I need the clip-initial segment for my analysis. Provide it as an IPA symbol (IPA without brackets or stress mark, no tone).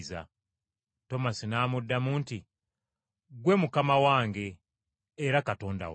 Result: z